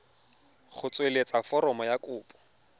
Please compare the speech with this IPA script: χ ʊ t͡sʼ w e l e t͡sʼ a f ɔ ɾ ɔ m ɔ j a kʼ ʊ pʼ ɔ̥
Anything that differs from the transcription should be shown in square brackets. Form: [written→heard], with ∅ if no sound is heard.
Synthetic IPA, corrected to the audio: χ ʊ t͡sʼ w e l e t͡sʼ a f ɔ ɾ ɔ m ɔ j a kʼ [ʊ→ʊː] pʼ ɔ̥